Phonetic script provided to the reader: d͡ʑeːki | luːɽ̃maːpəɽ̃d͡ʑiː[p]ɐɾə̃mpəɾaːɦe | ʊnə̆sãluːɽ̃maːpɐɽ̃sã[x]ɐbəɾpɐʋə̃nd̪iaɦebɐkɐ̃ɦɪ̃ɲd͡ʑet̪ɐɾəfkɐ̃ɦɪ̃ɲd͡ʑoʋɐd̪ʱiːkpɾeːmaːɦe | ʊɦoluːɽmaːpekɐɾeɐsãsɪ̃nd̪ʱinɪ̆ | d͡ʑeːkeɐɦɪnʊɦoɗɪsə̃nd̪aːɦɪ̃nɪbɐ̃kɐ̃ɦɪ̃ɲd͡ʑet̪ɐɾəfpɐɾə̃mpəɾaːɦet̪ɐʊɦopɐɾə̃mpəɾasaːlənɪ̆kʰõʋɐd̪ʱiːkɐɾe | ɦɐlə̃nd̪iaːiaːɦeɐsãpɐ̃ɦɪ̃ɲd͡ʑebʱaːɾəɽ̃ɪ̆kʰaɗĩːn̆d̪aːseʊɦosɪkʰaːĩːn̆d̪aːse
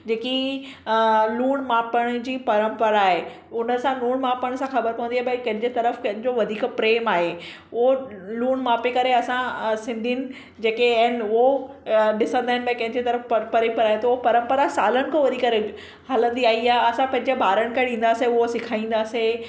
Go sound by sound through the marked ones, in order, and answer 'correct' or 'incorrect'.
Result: correct, correct

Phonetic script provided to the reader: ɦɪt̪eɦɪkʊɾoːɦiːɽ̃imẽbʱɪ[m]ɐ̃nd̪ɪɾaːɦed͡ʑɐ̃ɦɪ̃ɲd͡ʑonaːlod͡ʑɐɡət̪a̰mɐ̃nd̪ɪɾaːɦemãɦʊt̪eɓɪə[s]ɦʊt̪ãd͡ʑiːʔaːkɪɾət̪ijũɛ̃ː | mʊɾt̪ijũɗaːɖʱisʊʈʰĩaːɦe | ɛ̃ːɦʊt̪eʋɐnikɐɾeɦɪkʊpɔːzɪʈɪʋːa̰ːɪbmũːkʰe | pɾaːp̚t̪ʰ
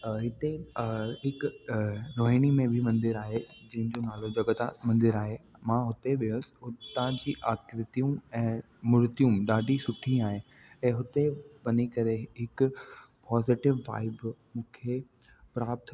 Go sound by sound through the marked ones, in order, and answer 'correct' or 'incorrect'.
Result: correct, correct

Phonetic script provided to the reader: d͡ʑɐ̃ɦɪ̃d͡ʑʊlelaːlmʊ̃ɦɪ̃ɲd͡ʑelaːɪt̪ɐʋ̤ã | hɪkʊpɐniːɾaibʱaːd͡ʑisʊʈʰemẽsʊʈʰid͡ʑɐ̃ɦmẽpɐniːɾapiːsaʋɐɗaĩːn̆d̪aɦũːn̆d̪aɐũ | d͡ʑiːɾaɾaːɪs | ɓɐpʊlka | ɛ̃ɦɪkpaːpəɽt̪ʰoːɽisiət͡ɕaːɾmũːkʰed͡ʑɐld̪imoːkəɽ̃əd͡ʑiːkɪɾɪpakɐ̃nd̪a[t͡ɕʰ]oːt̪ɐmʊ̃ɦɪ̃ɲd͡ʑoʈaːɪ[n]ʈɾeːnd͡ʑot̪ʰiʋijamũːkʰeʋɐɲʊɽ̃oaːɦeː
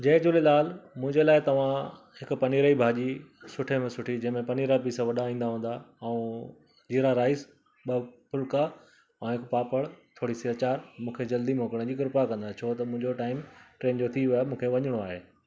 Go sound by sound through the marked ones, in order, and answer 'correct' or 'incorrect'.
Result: correct, incorrect: m

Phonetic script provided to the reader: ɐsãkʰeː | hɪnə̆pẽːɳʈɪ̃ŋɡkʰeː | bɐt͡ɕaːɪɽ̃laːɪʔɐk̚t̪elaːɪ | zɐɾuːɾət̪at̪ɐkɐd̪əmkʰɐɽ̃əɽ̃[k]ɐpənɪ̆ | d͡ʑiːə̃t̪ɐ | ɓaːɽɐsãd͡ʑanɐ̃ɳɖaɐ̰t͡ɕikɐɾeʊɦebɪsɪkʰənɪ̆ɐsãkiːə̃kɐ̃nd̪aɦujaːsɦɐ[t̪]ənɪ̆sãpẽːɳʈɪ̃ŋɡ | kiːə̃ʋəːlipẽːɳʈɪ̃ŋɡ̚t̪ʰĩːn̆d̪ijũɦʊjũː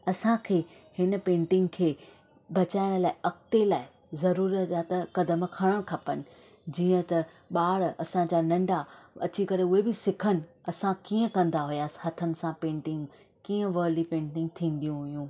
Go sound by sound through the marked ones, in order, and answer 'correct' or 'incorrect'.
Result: incorrect: kʰ, incorrect: t̪ʰ

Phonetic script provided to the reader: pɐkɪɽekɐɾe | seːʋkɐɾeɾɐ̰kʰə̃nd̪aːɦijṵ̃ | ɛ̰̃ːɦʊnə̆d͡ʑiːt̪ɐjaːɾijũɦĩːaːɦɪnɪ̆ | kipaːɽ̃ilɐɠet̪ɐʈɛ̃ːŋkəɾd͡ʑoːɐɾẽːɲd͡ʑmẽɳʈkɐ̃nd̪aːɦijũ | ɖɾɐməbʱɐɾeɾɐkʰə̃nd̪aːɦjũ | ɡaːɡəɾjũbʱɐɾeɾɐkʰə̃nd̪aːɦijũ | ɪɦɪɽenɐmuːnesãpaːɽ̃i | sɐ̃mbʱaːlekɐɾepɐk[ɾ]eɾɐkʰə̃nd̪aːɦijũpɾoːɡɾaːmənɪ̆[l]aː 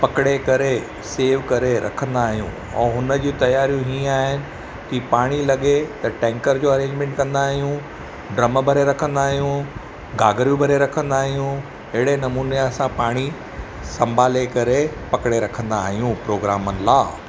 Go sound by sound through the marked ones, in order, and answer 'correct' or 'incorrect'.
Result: incorrect: ɽ, correct

